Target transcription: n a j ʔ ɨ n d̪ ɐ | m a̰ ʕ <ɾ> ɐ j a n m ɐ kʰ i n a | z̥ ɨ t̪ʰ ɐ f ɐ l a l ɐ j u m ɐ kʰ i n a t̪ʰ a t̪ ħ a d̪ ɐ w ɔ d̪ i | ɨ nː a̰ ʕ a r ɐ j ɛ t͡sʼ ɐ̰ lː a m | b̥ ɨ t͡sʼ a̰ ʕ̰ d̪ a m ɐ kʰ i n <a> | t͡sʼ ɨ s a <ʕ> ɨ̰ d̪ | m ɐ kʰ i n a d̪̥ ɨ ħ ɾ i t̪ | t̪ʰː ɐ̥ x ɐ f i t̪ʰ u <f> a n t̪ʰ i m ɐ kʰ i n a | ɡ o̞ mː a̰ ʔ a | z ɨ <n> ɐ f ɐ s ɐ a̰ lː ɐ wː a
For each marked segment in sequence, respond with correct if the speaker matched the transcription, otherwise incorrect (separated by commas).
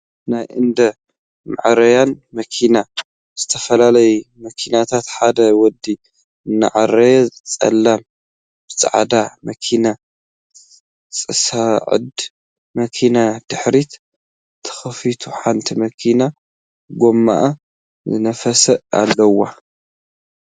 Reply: correct, correct, correct, incorrect, correct